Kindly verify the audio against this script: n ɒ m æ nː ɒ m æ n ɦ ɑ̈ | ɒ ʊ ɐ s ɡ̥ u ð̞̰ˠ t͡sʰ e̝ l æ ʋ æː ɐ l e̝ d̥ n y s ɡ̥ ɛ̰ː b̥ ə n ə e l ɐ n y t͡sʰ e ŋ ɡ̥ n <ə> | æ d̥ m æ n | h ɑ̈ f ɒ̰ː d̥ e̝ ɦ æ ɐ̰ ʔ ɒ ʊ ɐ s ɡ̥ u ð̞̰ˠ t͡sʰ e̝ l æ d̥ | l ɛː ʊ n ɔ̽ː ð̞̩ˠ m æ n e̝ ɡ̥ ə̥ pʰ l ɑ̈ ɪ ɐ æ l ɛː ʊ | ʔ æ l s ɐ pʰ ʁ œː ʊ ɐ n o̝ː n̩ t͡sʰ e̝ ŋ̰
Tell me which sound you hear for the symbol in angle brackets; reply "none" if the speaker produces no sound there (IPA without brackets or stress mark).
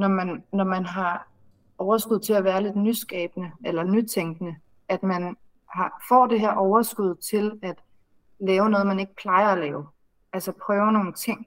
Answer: ə